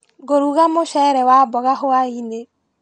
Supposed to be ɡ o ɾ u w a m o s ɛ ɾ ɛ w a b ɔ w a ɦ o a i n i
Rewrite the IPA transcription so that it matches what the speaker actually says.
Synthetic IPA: ɡ o ɾ u ɣ a m o ʃ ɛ ɾ ɛ w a b ɔ ɣ a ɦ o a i n e

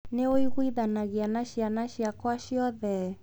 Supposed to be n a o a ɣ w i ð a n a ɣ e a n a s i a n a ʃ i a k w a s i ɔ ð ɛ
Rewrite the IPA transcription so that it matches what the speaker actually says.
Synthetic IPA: n e o i ɣ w i ð a n a ɣ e a n a ʃ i a n a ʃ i a k w a ʃ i ɔ ð ɛ

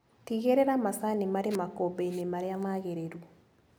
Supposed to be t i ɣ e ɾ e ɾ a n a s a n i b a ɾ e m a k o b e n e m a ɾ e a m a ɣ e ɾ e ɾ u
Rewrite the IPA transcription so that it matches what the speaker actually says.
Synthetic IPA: t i ɣ e ɾ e ɾ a m a s a n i m a ɾ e m a k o b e n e m a ɾ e a m a ɣ e ɾ e ɾ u

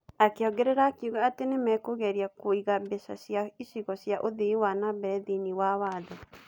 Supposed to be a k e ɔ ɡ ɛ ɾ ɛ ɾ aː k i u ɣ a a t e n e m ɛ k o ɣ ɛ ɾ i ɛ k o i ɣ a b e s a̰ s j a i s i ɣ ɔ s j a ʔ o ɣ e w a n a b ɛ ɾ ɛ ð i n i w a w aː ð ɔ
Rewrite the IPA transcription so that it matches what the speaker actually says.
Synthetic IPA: a k e ɔ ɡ ɛ ɾ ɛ ɾ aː k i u ɣ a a t e n e m ɛ k o ɣ ɛ ɾ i a k o i ɣ a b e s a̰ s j a i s i ɣ ɔ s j a ʔ o ð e w a n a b ɛ ɾ ɛ ð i n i w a w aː ð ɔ

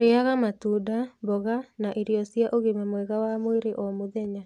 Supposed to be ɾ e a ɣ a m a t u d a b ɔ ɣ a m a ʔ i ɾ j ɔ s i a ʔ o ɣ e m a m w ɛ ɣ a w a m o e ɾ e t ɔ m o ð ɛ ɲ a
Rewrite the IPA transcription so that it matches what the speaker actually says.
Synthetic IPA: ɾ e a ɣ a m a t u d a b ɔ ɣ a n a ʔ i ɾ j ɔ s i a ʔ o ɣ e m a m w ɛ ɣ a w a m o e ɾ e ʔ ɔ m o ð ɛ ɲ a

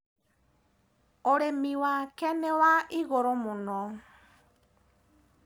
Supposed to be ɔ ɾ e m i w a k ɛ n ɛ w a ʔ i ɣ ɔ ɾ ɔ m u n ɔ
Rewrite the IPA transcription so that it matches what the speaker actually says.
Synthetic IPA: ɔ ɾ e m i w a k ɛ n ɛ w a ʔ i ɣ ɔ ɾ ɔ m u n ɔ

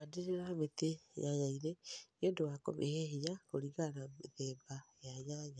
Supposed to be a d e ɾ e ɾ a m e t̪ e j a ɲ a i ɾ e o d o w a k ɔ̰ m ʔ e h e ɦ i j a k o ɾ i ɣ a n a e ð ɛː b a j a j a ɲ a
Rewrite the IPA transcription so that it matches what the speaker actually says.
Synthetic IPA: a d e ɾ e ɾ a m e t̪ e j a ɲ a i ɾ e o d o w a k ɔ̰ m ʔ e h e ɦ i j a k o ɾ i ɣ a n a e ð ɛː b a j a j a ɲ a

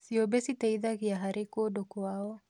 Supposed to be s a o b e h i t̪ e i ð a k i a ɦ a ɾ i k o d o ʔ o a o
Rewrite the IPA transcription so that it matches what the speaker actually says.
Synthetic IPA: s i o b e s i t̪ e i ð a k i a ɦ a ɾ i k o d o k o a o

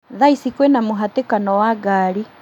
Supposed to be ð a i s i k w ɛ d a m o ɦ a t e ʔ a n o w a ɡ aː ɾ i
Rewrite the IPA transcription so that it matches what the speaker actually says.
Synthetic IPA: ð a i s i k w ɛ n a m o ɦ a t e k a n ɔ w a ɡ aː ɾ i

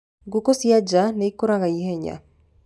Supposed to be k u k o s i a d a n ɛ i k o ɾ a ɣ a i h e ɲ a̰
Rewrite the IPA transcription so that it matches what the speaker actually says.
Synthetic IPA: ɡ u k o s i a d͡ʒ a n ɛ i k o ɾ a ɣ a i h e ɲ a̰

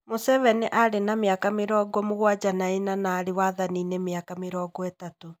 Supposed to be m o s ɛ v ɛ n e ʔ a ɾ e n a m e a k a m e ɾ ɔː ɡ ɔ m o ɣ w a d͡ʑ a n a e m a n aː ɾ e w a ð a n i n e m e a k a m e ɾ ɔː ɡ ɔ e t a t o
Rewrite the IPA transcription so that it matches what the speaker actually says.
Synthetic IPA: m o s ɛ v ɛ n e ʔ a ɾ e n a m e a k a m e ɾ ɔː ɡ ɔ m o ɣ w a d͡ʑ a n a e n a n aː ɾ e w a ð a n i n e m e a k a m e ɾ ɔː ɡ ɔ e t a t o

